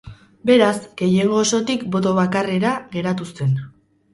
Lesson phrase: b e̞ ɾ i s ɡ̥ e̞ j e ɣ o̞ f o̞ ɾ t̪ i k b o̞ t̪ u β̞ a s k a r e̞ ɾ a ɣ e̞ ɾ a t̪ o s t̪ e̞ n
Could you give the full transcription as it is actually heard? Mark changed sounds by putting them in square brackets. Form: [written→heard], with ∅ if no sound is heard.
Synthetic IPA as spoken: b e̞ ɾ [i→a] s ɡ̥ e̞ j e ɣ o̞ [f→s] o̞ [ɾ→∅] t̪ i k b o̞ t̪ [u→o] β̞ a [s→∅] k a r e̞ ɾ a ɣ e̞ ɾ a t̪ [o→u] s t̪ e̞ n